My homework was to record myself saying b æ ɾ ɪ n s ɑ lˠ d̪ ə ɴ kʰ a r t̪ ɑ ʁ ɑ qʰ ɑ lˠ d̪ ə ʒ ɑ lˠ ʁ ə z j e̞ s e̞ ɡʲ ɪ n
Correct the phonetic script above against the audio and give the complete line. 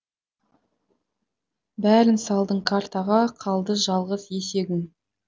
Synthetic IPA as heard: b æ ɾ ɪ n s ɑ lˠ d̪ ə ɴ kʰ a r t̪ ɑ ʁ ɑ qʰ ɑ lˠ d̪ ə ʒ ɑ lˠ ʁ ə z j e̞ s e̞ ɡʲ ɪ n